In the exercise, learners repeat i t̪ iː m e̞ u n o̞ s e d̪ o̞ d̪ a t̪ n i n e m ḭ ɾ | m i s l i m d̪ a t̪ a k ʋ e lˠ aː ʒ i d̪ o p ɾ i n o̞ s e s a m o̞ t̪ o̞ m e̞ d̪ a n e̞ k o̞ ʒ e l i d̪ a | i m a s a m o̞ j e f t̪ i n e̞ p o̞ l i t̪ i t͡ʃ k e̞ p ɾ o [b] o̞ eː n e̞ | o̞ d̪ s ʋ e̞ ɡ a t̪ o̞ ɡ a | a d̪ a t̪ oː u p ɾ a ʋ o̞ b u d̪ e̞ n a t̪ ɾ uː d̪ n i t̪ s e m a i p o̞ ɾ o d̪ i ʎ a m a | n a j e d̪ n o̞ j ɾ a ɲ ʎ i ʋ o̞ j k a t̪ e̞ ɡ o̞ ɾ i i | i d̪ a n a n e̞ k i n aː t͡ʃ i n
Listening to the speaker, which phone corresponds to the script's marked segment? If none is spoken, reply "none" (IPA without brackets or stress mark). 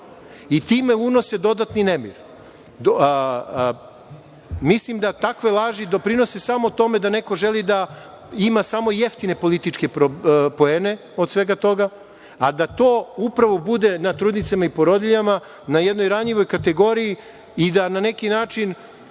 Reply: p